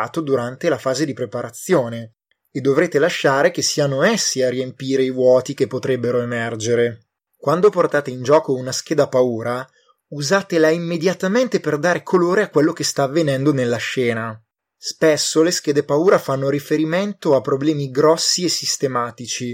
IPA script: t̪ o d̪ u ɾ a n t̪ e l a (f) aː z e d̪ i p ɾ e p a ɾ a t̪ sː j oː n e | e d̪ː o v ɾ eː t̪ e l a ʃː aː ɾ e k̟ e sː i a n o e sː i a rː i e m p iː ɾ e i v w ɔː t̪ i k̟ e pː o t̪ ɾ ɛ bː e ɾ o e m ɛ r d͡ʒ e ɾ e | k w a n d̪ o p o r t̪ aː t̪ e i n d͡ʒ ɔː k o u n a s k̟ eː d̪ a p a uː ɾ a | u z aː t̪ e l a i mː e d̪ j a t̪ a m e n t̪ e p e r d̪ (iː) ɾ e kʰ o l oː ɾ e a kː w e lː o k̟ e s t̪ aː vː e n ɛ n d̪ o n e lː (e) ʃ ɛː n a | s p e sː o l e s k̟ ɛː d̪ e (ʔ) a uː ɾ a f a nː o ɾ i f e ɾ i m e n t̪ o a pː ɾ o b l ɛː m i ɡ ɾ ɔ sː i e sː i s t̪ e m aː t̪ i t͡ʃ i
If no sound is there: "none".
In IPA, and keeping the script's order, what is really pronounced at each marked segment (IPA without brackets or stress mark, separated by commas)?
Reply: f, aː, a, p